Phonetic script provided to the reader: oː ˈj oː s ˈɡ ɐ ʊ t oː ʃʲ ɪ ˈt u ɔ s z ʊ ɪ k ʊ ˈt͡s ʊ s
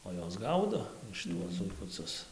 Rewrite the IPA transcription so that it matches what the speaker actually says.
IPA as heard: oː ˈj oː s ˈɡ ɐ ʊ d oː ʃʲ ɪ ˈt u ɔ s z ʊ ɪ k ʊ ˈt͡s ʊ s